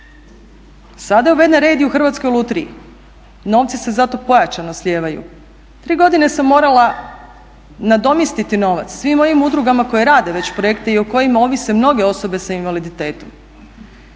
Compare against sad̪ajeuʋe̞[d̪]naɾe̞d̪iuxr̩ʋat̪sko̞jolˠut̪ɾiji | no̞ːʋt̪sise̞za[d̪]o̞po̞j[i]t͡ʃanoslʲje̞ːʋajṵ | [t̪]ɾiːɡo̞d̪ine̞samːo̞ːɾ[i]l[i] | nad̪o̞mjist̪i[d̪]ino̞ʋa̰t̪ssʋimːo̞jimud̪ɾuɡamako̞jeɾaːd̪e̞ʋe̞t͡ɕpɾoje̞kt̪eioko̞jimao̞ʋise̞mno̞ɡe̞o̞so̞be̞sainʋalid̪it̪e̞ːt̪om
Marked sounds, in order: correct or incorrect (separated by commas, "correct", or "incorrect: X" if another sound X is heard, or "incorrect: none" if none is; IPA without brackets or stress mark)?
correct, incorrect: t̪, incorrect: a, correct, incorrect: a, incorrect: a, incorrect: t̪